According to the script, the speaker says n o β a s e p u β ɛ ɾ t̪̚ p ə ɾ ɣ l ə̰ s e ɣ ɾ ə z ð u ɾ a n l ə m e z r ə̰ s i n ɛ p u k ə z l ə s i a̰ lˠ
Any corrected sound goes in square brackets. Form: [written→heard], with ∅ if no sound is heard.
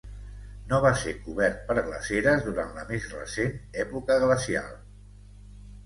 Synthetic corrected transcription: n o β a s e [p→k] u β ɛ ɾ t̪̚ p ə ɾ ɣ l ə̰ s e [ɣ→∅] ɾ ə z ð u ɾ a n l ə m e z r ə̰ s [i→e] n ɛ p u k ə [z→ɣ] l ə s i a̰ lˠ